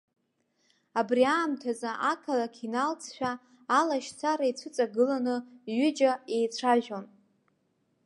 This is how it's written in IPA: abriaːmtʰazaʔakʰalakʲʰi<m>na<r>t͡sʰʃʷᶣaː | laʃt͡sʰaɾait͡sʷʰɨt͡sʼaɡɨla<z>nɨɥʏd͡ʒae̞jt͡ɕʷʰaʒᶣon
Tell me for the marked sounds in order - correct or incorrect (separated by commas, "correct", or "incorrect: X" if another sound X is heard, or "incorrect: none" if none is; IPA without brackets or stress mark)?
incorrect: none, incorrect: l, incorrect: none